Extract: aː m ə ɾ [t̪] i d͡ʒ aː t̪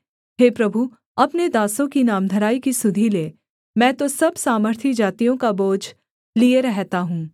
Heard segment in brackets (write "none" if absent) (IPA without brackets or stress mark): t̪ʰ